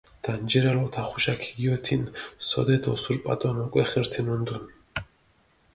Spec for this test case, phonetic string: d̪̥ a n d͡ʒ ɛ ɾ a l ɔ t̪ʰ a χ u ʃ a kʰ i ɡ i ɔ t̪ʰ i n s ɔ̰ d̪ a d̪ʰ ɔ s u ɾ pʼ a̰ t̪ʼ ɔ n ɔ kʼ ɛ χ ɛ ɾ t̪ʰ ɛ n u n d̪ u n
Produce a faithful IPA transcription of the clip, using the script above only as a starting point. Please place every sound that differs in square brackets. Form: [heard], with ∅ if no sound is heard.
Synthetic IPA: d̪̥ a n d͡ʒ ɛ ɾ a l ɔ t̪ʰ a χ u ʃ a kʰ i ɡ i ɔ t̪ʰ i n s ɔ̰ d̪ [ɛ] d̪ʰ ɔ s u ɾ pʼ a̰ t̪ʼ ɔ n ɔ kʼ ɛ χ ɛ ɾ t̪ʰ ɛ n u n d̪ u n